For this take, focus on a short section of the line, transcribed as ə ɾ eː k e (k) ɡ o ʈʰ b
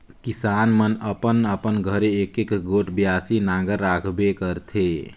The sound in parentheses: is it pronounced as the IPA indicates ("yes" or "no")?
yes